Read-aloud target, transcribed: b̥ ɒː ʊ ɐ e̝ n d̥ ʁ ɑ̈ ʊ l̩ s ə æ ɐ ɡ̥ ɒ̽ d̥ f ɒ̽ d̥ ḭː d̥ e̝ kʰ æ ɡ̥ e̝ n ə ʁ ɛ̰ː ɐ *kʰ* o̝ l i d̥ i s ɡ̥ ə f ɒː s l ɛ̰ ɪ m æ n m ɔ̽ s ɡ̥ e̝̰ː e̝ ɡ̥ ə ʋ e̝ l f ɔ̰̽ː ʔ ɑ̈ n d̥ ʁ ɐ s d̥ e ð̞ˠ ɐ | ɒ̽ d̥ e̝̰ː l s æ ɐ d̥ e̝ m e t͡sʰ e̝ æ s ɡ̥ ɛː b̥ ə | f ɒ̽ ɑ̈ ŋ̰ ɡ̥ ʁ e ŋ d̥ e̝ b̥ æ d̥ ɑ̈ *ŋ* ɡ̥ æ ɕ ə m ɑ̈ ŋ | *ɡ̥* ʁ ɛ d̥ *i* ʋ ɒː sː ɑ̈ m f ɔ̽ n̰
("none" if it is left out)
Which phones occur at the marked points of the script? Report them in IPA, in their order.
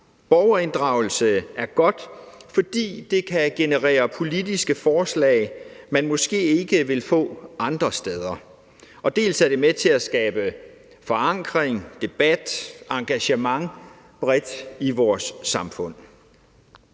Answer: pʰ, ŋ, b̥, i

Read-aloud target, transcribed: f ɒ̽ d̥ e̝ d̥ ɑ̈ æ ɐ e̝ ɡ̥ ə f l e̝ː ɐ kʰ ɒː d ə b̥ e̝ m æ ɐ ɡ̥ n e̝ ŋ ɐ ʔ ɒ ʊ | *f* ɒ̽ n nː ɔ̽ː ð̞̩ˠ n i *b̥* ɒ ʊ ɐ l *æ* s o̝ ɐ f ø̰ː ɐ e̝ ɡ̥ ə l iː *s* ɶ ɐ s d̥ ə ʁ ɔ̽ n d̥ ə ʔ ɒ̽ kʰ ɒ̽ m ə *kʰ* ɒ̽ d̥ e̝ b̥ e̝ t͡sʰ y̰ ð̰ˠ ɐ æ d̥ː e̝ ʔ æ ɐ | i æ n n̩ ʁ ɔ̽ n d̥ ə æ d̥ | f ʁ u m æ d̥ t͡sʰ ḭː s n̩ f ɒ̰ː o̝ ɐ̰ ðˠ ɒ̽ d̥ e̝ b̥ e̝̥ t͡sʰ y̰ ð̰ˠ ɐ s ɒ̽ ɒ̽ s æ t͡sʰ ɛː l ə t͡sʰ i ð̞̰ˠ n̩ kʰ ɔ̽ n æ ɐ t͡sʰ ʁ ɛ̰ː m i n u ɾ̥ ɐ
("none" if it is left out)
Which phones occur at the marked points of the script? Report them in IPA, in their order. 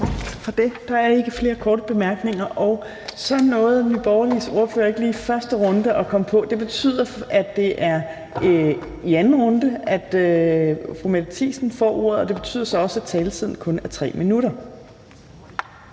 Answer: s, b̥, i, f, pʰ

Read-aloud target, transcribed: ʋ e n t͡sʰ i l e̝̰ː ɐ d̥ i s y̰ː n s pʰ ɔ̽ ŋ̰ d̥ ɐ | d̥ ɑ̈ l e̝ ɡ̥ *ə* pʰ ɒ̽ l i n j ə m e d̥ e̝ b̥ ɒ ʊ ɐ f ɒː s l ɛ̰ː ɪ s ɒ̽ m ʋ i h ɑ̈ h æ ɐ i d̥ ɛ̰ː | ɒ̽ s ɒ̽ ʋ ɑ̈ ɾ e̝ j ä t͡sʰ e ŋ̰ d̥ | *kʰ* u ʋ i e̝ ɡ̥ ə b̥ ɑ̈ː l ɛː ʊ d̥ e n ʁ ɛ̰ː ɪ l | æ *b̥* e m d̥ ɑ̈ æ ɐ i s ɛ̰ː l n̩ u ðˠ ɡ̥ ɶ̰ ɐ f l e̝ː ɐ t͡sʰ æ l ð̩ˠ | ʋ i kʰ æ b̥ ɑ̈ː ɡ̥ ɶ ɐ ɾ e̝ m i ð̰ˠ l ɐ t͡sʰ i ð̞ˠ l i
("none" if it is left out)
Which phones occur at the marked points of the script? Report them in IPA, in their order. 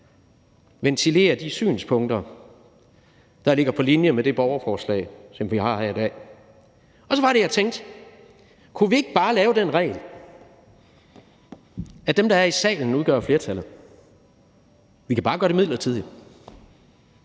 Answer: ɐ, kʰ, d̥

